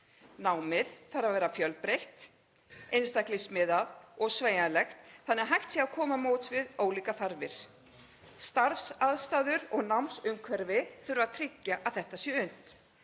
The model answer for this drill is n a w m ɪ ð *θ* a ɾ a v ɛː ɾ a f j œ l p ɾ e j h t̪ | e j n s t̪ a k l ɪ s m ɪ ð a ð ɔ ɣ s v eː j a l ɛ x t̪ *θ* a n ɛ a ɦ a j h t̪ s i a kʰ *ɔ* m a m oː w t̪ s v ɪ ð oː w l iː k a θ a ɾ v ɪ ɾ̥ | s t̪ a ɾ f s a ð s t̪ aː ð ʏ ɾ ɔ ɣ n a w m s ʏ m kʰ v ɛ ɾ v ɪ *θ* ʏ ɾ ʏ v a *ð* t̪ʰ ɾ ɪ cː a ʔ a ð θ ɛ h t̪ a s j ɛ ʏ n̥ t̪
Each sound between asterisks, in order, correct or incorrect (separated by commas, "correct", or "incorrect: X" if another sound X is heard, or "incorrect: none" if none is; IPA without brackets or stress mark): correct, correct, incorrect: ɔː, correct, correct